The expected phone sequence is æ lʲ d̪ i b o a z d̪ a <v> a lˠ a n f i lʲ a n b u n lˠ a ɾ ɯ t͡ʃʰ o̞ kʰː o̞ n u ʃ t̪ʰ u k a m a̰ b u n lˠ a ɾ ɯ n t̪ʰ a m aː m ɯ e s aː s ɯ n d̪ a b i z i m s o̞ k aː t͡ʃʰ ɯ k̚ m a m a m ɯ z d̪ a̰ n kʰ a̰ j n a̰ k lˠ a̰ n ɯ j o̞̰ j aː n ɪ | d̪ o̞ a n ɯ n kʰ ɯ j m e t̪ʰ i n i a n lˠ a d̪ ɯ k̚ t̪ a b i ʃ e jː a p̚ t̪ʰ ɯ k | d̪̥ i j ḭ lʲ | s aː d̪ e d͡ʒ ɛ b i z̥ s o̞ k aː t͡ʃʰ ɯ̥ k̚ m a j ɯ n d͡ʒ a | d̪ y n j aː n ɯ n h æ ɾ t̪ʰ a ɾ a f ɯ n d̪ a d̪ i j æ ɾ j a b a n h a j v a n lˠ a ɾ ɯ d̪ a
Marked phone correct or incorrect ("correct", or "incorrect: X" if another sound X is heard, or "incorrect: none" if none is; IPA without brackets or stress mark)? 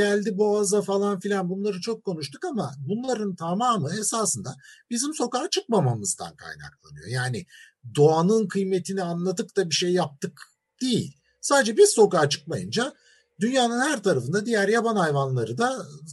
incorrect: f